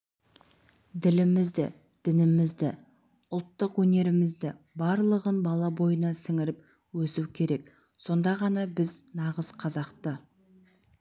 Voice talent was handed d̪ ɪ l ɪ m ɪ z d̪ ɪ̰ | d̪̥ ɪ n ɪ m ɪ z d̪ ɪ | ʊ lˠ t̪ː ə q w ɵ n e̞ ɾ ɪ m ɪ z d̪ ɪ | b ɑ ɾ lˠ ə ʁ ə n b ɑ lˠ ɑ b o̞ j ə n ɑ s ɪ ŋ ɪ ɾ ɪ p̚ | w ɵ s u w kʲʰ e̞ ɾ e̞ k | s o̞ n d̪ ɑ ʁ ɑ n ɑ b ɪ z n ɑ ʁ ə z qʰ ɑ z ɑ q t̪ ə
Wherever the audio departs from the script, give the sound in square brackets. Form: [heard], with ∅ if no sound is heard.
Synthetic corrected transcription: d̪ ɪ l ɪ m ɪ z d̪ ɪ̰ | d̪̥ ɪ n ɪ m ɪ z d̪ ɪ | ʊ lˠ t̪ː ə q w ɵ n e̞ ɾ ɪ m ɪ z d̪ ɪ | b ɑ ɾ lˠ ə ʁ ə n b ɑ lˠ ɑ b o̞ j ə n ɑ s ɪ ŋ ɪ ɾ ɪ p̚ | w ɵ s u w kʲʰ e̞ ɾ e̞ k | s o̞ n d̪ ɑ ʁ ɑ n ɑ b ɪ z n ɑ ʁ ə z qʰ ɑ z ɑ q t̪ ə